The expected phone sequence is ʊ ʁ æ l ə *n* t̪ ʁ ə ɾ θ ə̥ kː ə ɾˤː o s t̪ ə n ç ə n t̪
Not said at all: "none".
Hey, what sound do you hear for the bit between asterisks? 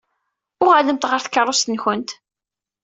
m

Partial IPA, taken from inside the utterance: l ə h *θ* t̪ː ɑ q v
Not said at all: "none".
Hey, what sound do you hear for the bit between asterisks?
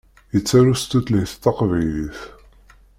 θ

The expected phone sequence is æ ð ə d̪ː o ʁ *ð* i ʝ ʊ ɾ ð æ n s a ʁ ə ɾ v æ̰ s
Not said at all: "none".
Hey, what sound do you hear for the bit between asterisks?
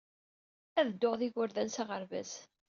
ð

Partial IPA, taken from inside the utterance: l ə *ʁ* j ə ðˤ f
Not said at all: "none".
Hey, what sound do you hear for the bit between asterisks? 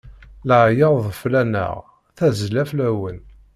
ʕ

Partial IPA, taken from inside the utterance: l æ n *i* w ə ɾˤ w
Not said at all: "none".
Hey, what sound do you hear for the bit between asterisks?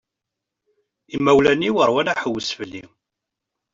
i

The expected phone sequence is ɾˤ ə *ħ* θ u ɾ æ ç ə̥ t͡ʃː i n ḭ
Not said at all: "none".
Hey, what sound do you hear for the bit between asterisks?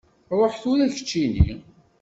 ħ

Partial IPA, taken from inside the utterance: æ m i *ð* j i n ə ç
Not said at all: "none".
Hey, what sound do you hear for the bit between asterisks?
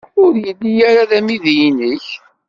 ð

